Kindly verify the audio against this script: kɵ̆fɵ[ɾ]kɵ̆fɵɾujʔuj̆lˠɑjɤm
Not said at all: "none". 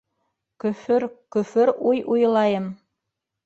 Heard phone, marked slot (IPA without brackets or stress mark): ɾ